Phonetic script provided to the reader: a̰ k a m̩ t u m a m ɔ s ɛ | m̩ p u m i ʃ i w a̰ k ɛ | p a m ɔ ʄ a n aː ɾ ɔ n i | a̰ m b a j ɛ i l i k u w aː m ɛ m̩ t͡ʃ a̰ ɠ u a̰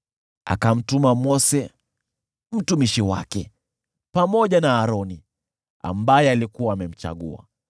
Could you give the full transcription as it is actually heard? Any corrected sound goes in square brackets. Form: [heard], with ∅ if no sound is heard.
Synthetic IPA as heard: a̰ k a m̩ t u m a m ɔ s ɛ | m̩ [t] u m i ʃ i w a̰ k ɛ | p a m ɔ ʄ a n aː ɾ ɔ n i | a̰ m b a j ɛ [a] l i k u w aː m ɛ m̩ t͡ʃ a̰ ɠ u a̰